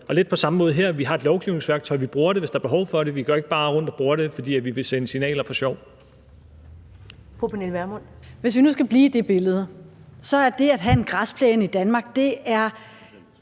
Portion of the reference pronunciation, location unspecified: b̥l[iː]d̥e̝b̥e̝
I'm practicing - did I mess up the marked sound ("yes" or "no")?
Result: no